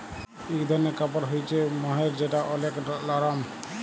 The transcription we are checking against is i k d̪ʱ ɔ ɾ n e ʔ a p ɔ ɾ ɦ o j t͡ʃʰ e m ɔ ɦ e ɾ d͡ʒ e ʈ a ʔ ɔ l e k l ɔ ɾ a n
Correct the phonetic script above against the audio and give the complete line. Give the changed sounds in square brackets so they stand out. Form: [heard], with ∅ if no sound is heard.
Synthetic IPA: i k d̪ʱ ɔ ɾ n e [k] a p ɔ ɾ ɦ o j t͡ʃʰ e m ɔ ɦ e ɾ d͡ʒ e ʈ a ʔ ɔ l e k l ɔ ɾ a [m]